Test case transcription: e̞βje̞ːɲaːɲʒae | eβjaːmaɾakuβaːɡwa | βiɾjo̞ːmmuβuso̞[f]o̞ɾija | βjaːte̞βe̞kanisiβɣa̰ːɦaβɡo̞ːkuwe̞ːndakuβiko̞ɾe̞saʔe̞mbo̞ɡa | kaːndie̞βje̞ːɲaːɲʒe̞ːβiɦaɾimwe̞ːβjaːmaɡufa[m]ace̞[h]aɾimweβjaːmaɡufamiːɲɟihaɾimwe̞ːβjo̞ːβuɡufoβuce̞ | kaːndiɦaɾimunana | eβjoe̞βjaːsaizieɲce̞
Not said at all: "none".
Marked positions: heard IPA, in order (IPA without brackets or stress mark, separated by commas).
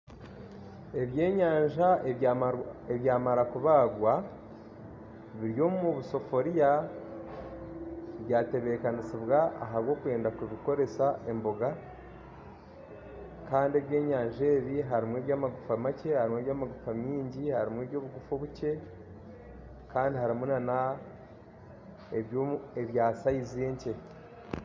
f, m, h